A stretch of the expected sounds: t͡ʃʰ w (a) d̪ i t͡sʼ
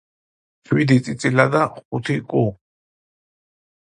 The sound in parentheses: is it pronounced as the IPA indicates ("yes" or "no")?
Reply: no